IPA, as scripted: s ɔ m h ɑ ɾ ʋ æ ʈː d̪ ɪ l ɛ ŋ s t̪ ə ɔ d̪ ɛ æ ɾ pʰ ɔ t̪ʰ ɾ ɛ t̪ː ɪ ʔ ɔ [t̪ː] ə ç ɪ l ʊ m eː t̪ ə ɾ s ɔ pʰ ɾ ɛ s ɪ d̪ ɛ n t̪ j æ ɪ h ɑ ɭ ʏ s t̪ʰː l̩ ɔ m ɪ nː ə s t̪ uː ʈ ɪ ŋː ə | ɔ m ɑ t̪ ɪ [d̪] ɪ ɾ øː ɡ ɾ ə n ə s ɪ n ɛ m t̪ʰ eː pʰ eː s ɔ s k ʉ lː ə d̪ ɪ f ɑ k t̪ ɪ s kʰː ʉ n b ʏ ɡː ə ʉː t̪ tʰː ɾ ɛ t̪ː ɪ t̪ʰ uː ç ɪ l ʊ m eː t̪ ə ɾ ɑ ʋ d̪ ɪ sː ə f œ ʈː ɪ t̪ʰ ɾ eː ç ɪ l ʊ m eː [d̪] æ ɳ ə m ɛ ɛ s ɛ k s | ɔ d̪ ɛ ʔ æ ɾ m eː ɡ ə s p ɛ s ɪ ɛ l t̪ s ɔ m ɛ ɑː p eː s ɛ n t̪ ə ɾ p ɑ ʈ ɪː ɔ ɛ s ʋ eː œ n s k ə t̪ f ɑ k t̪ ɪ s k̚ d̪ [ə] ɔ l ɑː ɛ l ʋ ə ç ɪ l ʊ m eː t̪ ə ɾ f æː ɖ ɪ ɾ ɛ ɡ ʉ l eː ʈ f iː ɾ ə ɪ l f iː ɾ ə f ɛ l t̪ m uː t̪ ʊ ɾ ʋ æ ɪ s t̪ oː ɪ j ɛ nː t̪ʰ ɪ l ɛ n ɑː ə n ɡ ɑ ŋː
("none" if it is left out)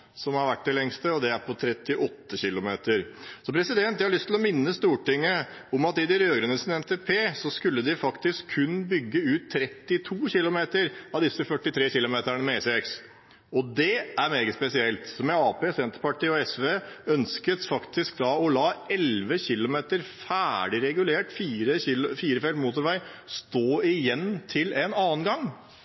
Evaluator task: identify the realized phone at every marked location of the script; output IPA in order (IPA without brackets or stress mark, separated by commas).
t̪ː, d̪, t̪, ɑ